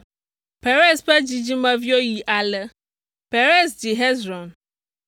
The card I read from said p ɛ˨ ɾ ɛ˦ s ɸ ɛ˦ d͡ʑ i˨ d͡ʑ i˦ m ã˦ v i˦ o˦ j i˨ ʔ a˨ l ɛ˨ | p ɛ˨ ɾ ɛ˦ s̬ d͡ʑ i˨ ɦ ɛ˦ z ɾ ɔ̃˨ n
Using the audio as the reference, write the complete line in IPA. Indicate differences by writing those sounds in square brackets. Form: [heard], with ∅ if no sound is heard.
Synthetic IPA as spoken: p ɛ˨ ɾ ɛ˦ s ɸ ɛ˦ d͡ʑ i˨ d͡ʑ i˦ m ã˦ v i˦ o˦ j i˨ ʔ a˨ l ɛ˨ | p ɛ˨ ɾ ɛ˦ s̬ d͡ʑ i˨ ɦ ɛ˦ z ɾ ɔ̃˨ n